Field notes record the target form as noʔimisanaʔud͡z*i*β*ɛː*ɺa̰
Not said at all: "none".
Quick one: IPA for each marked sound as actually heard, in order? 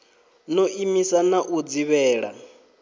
i, ɛː

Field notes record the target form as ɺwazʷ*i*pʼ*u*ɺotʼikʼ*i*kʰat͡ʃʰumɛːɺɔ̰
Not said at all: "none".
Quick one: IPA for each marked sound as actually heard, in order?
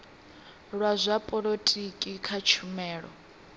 a, ɔ, i

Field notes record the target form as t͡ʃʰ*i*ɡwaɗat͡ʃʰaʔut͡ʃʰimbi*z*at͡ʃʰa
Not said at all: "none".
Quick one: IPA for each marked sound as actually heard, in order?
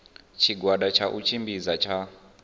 i, z

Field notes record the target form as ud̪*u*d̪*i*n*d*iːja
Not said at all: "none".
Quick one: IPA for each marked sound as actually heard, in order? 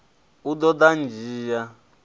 ɔ, a, d͡ʒ

